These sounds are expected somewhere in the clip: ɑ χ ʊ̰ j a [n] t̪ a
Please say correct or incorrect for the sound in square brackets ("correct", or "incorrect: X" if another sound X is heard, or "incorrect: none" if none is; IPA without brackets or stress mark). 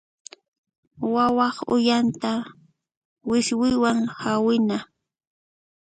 correct